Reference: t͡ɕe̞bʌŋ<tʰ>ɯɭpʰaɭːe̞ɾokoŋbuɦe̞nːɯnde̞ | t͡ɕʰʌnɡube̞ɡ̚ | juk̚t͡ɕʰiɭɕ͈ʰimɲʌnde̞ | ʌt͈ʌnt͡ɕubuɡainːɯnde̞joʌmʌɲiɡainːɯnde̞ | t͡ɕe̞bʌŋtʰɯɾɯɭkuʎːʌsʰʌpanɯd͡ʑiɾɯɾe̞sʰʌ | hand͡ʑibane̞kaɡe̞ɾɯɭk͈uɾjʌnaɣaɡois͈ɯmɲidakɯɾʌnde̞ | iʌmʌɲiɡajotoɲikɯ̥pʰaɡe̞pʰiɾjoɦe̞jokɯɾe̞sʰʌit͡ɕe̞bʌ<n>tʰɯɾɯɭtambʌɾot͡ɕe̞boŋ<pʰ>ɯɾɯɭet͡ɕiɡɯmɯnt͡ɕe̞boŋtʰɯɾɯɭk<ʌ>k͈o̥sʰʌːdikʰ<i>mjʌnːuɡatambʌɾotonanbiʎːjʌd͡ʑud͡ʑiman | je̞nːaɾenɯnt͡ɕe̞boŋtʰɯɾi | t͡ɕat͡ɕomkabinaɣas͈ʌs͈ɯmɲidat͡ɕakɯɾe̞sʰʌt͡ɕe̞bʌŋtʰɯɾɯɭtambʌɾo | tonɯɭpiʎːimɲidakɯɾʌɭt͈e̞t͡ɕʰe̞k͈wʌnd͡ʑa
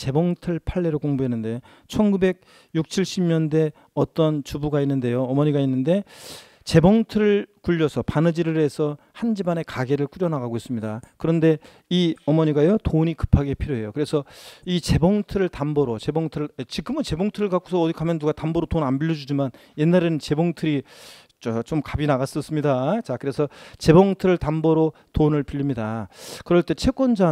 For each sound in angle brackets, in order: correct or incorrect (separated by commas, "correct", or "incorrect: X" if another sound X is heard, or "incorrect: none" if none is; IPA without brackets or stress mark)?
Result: correct, incorrect: ŋ, incorrect: tʰ, incorrect: a, incorrect: a